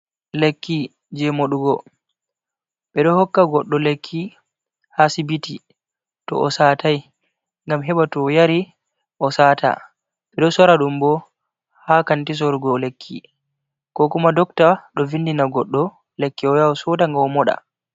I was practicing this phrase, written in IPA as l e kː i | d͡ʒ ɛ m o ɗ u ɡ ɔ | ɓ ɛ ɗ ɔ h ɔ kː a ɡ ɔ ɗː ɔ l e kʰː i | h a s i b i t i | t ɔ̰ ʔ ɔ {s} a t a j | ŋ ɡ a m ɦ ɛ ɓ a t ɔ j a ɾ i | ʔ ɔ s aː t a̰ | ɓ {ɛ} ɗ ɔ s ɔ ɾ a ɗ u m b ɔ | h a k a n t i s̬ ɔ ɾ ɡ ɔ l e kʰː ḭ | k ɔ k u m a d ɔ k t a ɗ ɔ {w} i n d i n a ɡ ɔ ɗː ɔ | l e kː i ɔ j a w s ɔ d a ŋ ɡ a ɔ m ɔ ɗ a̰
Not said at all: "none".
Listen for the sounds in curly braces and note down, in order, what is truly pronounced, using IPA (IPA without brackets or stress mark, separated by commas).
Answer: s, ɛ, v